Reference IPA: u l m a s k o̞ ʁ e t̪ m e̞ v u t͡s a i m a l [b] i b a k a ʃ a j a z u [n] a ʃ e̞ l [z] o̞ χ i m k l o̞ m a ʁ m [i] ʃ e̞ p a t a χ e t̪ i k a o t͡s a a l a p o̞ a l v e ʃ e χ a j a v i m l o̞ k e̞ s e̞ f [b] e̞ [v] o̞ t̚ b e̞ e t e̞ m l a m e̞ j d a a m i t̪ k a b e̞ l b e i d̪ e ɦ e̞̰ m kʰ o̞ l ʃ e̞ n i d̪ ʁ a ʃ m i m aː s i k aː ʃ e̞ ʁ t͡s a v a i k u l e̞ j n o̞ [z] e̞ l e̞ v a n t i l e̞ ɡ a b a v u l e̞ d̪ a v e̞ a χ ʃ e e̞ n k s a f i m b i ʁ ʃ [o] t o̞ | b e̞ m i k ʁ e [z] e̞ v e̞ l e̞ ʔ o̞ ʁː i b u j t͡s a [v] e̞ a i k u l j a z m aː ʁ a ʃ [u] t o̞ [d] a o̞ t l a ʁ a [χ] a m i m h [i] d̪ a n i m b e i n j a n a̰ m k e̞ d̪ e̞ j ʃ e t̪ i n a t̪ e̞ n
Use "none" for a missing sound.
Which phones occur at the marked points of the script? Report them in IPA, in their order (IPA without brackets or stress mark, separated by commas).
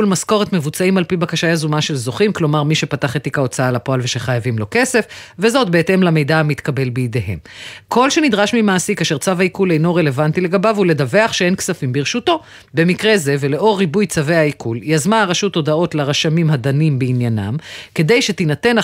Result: p, m, z, i, v, z, ʁ, u, z, v, u, d, ʃ, a